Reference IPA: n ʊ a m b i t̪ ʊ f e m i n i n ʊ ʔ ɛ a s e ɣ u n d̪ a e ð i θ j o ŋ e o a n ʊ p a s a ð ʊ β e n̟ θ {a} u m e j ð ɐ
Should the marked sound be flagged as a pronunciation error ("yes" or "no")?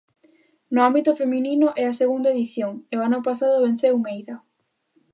yes